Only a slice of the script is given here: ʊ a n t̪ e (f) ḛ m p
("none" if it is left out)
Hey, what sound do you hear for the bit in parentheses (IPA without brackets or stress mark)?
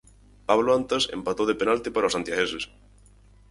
s